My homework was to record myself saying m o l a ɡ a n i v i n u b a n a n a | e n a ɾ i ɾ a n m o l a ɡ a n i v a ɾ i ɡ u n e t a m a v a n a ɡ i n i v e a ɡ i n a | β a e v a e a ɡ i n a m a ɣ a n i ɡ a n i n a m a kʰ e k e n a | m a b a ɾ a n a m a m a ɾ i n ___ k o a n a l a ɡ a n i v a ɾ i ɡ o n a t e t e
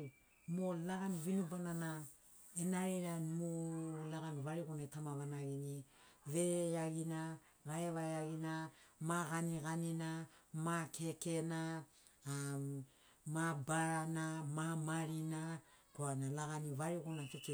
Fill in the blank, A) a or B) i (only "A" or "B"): A